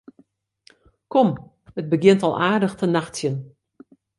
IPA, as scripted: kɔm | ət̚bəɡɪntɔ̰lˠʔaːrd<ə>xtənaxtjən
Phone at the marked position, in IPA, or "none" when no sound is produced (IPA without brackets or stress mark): ə